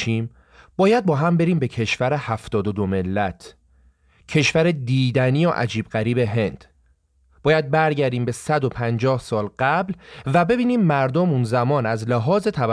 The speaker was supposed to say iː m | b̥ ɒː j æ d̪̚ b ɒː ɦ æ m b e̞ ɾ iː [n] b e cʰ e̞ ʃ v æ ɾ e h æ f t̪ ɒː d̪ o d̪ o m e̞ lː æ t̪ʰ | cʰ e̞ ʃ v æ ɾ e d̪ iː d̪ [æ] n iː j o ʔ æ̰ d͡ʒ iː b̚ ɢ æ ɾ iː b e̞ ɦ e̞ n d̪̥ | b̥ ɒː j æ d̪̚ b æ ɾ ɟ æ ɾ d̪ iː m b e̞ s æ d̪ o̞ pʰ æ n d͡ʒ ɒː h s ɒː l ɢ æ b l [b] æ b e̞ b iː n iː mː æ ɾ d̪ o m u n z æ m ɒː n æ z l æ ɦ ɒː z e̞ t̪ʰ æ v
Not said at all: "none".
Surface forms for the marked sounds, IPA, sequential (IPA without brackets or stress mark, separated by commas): m, æ, v